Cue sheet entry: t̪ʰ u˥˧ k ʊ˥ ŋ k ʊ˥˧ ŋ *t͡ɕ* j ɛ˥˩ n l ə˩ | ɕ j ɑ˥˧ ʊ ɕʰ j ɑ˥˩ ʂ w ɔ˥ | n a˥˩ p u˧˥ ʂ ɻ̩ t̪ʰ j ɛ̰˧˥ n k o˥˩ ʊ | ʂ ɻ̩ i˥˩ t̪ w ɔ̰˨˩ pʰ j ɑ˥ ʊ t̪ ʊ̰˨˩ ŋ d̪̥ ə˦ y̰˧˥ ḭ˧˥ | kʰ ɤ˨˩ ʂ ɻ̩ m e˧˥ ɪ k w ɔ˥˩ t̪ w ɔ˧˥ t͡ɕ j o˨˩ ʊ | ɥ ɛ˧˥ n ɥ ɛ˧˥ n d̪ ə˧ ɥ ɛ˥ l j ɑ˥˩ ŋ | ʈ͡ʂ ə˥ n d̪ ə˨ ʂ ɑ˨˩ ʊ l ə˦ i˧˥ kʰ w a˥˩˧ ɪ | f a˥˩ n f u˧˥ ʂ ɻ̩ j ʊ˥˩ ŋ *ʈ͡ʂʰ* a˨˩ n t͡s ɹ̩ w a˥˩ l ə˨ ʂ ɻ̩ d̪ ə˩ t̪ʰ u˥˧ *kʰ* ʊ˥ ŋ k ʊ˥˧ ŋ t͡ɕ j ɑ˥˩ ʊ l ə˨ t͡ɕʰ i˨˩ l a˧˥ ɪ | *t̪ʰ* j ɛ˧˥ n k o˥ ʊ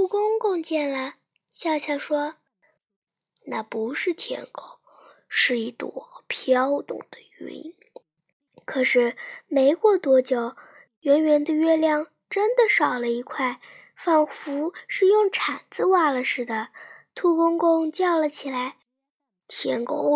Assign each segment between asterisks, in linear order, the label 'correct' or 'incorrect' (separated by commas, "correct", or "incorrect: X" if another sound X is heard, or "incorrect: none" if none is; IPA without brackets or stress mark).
correct, correct, incorrect: k, correct